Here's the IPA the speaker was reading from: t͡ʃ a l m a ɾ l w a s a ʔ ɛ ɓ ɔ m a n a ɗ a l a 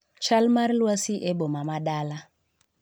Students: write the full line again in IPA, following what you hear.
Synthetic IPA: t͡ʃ a l m a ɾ l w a s i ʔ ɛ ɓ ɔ m a m a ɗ a l a